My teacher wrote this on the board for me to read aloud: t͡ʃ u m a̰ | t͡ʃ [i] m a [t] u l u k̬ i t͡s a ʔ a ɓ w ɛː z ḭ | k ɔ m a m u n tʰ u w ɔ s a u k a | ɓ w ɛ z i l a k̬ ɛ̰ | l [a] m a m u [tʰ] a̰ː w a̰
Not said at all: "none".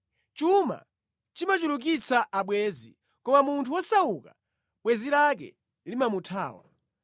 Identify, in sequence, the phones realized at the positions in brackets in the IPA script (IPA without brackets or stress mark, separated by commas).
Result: i, t͡ʃ, i, tʰ